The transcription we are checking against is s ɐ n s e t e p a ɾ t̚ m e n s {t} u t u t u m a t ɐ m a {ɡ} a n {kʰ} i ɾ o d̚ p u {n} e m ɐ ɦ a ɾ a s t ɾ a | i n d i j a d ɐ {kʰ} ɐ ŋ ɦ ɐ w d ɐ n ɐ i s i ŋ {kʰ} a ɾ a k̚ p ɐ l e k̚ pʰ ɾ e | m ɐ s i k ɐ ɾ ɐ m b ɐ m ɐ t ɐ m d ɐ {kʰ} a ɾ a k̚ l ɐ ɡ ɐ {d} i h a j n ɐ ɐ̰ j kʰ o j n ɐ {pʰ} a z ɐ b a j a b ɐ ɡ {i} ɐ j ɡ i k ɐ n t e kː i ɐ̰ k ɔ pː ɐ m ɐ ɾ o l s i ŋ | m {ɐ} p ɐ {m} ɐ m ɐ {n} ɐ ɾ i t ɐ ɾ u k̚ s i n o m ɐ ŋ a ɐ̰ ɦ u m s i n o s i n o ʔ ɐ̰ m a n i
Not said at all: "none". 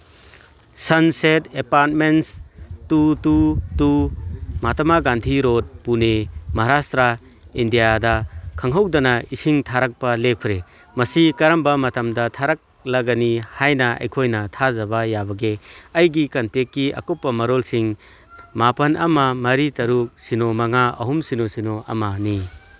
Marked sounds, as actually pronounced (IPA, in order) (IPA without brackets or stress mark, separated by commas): t, ɡ, tʰ, n, kʰ, tʰ, tʰ, n, tʰ, e, a, n, m